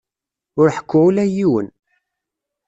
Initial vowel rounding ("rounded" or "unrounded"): rounded